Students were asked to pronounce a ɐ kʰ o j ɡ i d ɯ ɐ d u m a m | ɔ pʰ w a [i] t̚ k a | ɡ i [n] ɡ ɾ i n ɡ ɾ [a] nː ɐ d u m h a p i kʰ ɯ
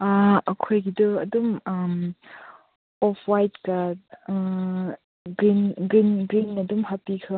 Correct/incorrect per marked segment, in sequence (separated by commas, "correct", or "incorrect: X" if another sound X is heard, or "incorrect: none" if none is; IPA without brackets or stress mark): incorrect: j, correct, incorrect: i